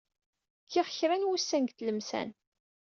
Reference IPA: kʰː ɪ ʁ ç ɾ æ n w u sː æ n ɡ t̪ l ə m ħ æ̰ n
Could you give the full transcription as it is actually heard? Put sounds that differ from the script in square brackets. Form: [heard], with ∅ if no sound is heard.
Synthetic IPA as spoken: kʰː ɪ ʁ ç ɾ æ n w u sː æ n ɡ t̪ l ə m [s] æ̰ n